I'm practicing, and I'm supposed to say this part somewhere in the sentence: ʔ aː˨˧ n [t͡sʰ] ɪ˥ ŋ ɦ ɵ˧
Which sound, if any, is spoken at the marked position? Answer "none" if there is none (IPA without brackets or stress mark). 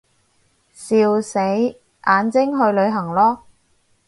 t͡s